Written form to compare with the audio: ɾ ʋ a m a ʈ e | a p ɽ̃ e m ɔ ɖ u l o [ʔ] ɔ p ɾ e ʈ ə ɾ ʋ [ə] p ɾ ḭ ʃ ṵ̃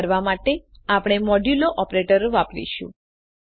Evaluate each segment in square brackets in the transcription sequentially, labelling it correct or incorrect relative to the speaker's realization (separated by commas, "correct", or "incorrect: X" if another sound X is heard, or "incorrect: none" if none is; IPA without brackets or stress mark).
correct, incorrect: a